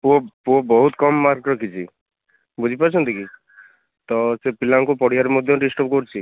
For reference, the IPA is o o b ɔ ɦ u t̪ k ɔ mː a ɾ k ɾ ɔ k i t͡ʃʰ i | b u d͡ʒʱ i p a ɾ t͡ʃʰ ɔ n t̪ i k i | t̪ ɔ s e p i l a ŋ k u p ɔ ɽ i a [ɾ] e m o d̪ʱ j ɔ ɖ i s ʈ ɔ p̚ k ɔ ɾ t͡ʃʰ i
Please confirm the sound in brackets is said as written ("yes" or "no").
yes